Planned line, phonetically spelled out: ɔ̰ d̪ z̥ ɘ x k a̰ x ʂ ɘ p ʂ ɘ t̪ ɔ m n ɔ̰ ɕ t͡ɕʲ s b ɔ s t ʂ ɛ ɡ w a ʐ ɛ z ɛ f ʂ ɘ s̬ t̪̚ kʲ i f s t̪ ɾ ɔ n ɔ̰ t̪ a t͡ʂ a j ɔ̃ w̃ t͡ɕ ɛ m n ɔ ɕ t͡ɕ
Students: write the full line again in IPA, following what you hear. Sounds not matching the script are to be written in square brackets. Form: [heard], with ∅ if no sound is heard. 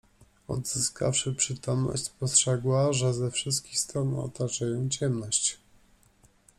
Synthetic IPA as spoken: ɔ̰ d̪ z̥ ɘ [s] k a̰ [f] ʂ ɘ p ʂ ɘ t̪ ɔ m n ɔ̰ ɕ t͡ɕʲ s [p] ɔ s t ʂ ɛ ɡ w a ʐ ɛ z ɛ f ʂ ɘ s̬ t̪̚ kʲ i [x] s t̪ ɾ ɔ n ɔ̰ t̪ a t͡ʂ a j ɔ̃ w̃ t͡ɕ ɛ m n ɔ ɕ t͡ɕ